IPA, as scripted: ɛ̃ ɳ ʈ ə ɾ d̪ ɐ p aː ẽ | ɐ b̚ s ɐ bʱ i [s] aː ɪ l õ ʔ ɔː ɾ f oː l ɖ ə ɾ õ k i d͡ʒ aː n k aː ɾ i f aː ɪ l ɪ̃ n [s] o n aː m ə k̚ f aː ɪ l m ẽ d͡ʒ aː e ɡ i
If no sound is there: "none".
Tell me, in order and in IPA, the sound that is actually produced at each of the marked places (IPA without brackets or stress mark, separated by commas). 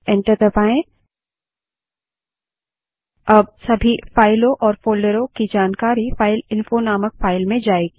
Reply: f, f